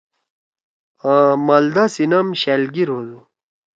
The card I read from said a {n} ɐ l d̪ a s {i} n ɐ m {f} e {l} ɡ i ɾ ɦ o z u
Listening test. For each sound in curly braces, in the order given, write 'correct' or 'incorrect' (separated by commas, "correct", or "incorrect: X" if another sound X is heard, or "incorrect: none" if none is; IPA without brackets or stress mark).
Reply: incorrect: m, correct, incorrect: ɕ, correct